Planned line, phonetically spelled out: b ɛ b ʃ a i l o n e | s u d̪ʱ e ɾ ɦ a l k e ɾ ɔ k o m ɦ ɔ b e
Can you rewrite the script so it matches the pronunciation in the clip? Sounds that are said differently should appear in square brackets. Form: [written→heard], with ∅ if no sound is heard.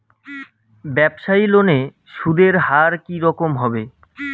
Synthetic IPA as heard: b ɛ b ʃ a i l o n e | [s→ʃ] u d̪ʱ e ɾ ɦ a [l→ɾ] k [e→i] ɾ ɔ k o m ɦ ɔ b e